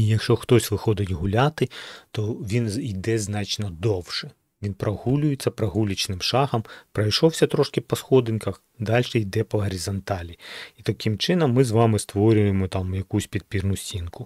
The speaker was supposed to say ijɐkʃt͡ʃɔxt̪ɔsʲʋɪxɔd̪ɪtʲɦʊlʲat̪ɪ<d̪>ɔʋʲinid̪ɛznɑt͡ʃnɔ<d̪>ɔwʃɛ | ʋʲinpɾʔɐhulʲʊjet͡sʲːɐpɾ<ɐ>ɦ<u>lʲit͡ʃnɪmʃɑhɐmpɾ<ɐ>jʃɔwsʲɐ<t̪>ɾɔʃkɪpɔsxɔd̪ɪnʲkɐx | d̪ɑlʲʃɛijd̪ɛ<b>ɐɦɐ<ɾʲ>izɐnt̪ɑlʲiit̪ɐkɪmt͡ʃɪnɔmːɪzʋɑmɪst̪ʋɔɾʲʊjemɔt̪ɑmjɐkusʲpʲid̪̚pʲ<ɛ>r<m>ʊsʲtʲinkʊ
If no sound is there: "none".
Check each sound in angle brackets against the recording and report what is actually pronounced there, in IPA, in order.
t̪, d̪, ɐ, u, ɐ, t̪, p, ɾʲ, i, n

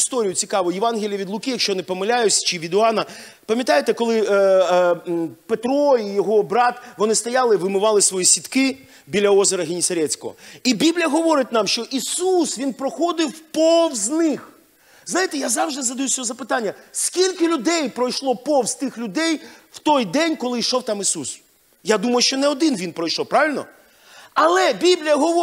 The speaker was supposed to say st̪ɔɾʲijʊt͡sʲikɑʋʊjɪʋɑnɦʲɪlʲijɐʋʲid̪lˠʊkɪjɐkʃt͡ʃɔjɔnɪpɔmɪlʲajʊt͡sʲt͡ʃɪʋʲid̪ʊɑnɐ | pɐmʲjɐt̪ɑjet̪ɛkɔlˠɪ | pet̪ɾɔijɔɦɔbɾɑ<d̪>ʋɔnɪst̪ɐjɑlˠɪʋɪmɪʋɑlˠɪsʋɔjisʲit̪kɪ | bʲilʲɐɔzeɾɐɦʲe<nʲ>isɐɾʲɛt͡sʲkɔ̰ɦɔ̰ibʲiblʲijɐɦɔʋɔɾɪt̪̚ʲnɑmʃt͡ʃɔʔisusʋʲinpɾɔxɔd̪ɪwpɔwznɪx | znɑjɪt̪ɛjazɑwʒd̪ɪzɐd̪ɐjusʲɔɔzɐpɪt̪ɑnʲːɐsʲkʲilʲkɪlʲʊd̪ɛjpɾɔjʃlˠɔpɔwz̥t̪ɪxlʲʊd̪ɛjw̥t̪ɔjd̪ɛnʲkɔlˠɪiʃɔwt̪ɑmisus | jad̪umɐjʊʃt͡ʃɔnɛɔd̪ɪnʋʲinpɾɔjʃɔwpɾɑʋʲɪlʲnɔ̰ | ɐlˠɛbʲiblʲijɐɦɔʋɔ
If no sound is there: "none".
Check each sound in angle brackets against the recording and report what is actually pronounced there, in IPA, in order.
t̪, nʲ

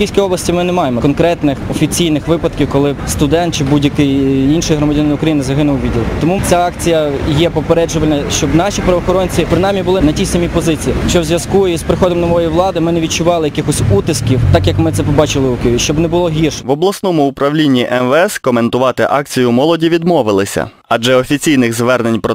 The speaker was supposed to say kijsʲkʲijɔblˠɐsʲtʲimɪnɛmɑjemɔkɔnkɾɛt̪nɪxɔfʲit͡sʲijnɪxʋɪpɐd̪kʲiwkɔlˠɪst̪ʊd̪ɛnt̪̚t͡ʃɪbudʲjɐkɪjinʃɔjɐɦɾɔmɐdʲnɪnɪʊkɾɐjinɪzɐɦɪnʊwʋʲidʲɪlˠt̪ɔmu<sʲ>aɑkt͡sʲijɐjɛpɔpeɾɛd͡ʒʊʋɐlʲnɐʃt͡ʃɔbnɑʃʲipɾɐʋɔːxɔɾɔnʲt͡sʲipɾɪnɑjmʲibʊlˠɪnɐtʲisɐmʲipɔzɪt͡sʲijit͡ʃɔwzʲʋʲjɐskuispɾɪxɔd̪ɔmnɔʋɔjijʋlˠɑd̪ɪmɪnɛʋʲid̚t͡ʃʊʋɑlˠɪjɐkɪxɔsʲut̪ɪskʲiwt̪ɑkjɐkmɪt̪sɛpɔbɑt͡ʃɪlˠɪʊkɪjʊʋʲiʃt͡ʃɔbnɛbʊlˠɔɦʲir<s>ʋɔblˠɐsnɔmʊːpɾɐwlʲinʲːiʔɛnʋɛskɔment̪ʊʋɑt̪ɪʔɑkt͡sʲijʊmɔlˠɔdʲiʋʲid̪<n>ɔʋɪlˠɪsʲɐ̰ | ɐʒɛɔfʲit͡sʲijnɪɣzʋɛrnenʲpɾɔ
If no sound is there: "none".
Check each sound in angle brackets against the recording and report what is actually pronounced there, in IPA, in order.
t͡sʲ, ʃ, m

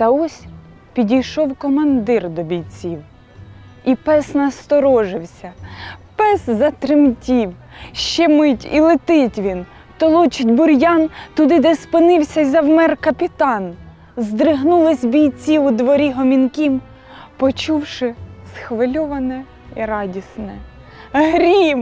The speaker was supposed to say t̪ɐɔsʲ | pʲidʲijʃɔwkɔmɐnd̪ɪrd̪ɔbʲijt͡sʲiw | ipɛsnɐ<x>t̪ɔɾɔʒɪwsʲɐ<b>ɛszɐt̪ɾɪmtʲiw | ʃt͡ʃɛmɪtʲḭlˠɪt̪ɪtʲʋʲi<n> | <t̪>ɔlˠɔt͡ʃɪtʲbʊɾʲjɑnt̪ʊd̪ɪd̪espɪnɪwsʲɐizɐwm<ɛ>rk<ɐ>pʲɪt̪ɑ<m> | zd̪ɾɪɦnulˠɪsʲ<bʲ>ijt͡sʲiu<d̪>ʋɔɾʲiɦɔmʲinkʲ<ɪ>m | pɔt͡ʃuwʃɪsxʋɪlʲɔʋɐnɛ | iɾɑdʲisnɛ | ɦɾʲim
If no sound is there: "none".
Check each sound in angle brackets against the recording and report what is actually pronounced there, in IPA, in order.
s, p, n, t̪, ɛ, ɐ, n, bʲ, d̪, i

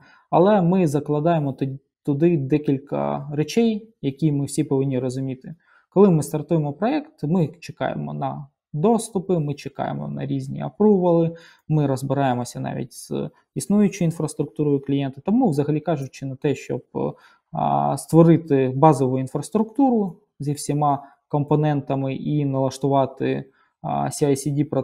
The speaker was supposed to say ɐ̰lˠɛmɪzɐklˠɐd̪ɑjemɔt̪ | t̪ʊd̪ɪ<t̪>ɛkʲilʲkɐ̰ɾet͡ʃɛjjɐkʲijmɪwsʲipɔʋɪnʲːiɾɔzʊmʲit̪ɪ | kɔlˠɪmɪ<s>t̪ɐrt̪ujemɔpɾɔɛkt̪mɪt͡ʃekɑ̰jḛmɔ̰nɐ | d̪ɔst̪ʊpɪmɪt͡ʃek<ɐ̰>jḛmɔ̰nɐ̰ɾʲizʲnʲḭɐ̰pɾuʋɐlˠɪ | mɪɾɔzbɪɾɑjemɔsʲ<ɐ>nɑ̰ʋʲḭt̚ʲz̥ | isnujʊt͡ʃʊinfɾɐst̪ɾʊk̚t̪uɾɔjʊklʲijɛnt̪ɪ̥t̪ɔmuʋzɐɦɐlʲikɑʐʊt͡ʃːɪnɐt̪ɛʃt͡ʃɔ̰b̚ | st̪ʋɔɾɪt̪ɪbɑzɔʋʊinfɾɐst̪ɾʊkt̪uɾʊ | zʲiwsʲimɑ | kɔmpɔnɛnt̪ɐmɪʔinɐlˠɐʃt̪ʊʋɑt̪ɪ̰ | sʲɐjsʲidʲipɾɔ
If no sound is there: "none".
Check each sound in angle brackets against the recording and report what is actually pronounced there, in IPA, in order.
d̪, s, ɑ̰, ɐ

